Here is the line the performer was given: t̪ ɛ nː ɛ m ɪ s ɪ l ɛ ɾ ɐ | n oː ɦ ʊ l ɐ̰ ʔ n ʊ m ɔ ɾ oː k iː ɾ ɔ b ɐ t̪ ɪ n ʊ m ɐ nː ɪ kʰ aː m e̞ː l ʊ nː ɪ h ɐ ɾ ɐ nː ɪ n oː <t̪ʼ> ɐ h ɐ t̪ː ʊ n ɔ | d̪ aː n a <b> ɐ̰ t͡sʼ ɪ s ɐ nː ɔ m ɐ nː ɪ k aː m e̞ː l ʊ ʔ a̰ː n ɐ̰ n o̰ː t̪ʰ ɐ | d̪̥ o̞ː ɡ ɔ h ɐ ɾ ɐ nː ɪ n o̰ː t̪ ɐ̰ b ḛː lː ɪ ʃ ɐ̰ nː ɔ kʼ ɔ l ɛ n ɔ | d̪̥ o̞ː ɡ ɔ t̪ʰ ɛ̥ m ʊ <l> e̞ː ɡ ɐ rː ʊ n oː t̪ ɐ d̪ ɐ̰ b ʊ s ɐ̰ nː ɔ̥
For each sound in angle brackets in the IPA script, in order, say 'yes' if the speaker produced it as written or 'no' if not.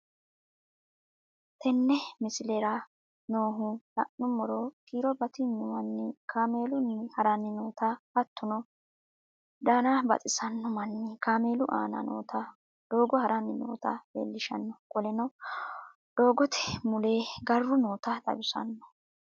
no, yes, yes

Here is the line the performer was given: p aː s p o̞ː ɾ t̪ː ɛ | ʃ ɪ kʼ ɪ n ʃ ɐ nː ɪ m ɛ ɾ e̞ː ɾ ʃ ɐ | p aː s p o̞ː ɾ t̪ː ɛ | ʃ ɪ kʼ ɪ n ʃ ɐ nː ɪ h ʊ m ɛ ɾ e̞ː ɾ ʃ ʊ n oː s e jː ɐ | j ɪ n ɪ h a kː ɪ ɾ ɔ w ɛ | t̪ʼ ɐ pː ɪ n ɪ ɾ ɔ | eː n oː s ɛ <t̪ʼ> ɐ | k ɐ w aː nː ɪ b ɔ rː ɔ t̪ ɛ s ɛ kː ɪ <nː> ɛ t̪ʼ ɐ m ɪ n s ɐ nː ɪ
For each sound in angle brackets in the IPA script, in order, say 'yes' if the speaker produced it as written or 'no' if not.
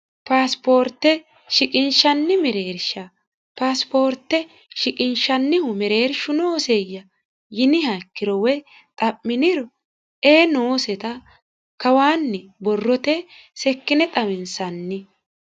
no, no

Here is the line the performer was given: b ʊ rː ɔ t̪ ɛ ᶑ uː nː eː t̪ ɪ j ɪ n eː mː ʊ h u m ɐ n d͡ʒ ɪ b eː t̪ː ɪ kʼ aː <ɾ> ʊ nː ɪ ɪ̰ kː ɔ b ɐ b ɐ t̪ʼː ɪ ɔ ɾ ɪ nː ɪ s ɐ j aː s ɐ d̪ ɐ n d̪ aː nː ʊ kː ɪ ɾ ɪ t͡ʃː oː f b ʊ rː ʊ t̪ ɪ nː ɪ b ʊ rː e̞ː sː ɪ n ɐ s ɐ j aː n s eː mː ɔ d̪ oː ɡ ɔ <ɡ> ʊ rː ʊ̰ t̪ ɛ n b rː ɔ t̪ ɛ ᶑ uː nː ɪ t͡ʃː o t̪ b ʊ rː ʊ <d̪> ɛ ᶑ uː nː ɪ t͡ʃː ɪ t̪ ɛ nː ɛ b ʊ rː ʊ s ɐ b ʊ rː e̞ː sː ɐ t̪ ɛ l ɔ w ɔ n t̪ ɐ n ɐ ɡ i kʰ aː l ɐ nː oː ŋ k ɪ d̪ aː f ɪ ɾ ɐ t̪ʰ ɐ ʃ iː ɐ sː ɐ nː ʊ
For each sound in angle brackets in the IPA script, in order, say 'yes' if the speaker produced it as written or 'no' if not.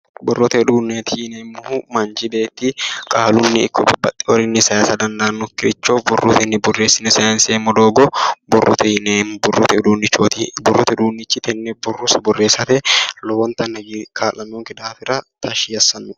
no, no, no

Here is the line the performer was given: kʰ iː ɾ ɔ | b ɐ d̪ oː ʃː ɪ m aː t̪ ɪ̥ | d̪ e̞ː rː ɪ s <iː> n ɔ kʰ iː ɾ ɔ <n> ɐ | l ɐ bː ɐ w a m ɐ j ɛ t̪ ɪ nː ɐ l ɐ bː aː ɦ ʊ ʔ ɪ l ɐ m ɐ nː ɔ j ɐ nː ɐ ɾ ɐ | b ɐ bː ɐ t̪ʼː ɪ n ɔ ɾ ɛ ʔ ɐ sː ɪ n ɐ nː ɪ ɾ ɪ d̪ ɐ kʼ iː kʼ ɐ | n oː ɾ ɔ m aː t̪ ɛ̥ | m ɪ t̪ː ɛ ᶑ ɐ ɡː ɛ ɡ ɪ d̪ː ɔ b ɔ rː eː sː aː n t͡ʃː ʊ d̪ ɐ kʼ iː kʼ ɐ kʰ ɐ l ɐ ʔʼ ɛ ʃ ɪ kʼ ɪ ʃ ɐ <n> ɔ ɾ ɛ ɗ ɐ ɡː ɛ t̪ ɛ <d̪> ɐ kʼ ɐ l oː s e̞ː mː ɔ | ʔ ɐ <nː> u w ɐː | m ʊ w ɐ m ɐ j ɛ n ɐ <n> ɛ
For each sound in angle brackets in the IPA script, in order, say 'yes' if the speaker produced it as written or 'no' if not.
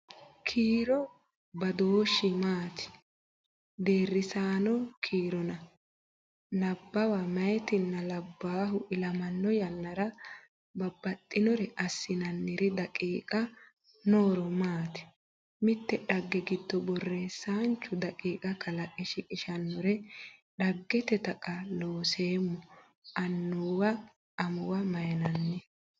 no, yes, no, no, yes, no

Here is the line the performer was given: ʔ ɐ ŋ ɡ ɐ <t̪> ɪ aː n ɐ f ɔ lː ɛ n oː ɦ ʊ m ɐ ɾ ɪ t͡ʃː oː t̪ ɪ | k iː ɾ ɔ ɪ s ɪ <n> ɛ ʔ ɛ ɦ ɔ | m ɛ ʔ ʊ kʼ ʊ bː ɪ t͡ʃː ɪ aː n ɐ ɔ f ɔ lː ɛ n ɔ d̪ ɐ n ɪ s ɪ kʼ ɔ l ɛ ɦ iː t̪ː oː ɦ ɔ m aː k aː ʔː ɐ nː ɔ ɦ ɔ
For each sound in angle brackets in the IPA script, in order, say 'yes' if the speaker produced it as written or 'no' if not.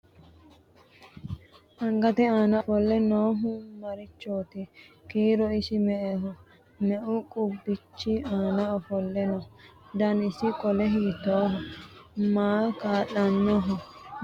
yes, no

